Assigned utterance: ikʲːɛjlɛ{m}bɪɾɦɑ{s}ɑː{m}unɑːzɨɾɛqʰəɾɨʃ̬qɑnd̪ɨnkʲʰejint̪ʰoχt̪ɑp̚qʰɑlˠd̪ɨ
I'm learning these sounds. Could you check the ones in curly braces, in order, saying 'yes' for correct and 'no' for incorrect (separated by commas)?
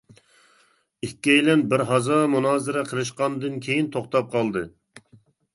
no, no, yes